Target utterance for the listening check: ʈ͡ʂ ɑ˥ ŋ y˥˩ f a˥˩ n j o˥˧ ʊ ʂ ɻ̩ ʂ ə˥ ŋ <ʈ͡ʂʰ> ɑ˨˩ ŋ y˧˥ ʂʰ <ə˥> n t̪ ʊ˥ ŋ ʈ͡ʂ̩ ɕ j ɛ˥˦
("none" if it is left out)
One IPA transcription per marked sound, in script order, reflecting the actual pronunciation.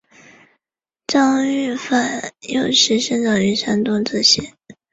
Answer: ʈ͡ʂ, a˥

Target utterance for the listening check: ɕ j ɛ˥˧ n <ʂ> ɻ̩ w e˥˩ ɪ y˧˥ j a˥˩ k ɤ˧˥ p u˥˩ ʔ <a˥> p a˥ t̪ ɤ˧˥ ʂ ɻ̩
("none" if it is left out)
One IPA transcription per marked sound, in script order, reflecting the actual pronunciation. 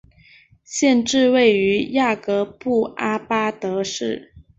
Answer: ʈ͡ʂ, a˥

